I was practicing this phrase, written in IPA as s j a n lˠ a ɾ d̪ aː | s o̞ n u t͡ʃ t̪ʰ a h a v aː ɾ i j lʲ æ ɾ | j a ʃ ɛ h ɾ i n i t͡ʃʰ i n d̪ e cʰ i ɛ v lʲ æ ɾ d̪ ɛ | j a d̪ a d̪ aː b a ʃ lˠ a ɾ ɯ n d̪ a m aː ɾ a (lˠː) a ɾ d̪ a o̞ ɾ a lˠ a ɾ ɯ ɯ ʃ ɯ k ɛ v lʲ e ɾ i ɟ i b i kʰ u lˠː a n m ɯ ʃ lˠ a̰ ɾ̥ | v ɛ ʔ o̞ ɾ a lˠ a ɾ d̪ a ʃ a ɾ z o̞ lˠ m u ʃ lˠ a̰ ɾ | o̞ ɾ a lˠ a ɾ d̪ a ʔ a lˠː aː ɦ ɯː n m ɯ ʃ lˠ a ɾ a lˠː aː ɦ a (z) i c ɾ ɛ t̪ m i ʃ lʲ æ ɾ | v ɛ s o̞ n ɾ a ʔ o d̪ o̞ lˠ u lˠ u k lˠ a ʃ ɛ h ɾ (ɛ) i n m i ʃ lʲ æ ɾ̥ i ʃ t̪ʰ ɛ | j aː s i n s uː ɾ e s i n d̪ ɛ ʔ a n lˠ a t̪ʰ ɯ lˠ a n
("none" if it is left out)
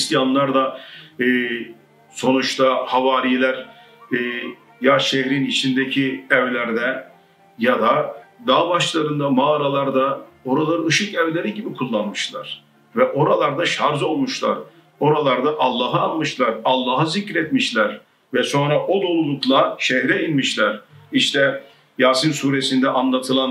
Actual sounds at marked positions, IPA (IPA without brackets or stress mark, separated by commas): lˠ, z, ɛ